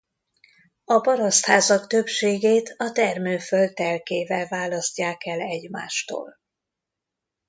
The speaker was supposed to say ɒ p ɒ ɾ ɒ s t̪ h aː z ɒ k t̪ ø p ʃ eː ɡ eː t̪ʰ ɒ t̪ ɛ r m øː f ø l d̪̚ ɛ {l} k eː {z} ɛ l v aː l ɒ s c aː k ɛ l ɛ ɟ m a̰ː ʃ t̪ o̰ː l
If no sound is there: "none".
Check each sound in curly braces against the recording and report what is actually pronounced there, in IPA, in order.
l, v

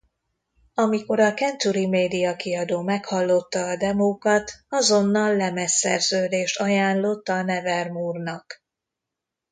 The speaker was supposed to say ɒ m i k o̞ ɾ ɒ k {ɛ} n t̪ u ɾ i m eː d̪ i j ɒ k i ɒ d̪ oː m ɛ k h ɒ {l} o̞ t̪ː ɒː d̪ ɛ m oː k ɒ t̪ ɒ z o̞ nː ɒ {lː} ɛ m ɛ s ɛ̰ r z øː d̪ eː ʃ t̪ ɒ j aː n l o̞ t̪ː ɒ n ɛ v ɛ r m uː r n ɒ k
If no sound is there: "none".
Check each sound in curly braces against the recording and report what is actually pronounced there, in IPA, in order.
ɛ, lː, lː

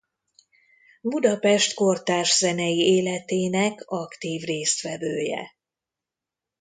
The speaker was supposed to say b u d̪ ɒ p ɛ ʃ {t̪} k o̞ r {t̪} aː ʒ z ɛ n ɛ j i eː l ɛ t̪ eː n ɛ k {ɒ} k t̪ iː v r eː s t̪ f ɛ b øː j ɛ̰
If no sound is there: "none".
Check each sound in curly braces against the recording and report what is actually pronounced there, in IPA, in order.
t̪, t̪, ɒ

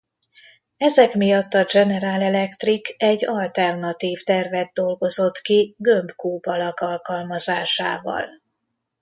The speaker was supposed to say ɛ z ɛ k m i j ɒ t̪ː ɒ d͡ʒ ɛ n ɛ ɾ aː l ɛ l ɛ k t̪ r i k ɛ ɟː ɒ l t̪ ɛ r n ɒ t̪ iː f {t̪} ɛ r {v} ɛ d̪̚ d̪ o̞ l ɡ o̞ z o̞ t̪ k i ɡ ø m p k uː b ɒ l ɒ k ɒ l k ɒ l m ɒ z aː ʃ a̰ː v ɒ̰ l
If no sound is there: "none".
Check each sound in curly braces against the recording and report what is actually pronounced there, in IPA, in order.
t̪, v

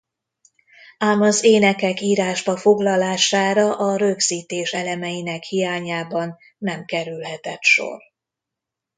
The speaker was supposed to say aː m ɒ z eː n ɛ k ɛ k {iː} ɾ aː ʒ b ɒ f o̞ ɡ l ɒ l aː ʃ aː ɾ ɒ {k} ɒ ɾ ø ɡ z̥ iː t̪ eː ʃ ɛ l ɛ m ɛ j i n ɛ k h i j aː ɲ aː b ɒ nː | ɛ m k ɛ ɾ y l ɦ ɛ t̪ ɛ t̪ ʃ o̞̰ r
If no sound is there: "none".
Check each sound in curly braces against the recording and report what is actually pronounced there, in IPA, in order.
iː, ʔ

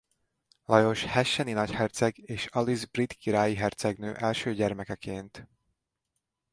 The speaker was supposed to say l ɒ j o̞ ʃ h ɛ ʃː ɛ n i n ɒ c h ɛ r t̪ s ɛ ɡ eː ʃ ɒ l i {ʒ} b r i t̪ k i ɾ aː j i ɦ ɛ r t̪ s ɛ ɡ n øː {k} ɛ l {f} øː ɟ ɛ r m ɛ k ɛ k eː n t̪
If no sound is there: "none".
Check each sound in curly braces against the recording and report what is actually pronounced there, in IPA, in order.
z, ʔ, ʃ

